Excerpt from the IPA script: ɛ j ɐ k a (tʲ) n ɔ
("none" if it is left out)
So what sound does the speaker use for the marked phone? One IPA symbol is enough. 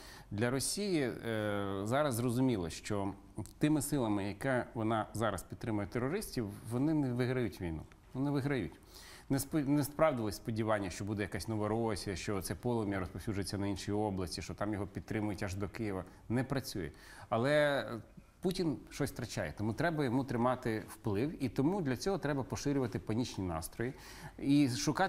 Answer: sʲ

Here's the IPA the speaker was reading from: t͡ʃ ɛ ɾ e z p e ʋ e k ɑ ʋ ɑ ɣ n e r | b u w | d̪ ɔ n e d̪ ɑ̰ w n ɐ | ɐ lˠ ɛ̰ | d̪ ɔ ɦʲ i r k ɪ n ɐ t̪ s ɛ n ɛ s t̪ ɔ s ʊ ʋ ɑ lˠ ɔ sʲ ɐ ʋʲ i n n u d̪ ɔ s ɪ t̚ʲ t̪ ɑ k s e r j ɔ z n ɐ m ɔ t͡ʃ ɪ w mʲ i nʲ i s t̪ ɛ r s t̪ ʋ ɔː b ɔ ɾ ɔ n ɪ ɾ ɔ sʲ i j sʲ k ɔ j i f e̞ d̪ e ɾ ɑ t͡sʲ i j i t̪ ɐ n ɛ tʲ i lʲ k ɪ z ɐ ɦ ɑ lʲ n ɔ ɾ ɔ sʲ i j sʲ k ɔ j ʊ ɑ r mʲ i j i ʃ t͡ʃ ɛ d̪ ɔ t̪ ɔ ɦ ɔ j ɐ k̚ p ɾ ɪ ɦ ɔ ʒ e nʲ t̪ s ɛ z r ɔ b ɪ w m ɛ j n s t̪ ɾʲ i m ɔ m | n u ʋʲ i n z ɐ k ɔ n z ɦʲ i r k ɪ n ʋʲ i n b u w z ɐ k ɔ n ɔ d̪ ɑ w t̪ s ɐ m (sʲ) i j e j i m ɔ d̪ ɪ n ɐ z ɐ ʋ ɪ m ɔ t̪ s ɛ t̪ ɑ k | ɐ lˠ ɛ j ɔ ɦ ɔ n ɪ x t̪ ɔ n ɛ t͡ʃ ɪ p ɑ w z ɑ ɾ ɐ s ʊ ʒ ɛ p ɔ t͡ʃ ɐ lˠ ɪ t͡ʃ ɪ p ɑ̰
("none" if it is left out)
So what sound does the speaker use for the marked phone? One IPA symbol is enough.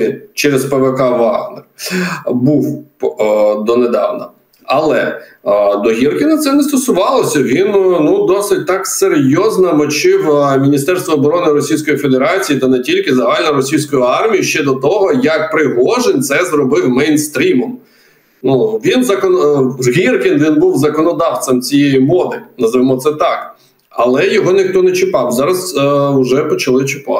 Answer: t͡sʲ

